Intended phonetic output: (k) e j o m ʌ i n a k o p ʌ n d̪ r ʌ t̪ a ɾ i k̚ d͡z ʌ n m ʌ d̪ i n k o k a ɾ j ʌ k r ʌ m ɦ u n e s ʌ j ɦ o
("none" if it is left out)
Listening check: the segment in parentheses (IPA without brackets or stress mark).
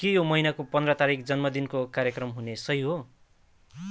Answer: k